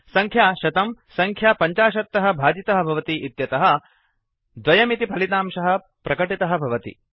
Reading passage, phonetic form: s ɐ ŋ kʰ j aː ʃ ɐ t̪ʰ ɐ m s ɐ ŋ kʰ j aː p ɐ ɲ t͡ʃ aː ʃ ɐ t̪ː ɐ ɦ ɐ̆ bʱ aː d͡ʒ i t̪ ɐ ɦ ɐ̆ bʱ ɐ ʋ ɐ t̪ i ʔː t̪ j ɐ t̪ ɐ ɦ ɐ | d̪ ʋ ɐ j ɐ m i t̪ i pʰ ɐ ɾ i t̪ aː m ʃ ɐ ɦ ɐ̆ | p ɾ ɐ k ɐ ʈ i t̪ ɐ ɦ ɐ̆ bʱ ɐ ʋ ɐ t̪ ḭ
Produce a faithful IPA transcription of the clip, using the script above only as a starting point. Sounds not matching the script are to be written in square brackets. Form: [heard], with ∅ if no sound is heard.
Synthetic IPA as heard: s ɐ ŋ kʰ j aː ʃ ɐ [t̪] ɐ m s ɐ ŋ kʰ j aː p ɐ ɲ t͡ʃ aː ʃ ɐ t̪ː ɐ ɦ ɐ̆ bʱ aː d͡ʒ i t̪ ɐ ɦ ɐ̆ bʱ ɐ ʋ ɐ t̪ i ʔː t̪ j ɐ t̪ ɐ ɦ ɐ | d̪ ʋ ɐ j ɐ m i t̪ i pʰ ɐ [l] i t̪ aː m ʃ ɐ ɦ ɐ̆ | p ɾ ɐ k ɐ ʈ i t̪ ɐ ɦ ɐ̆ bʱ ɐ ʋ ɐ t̪ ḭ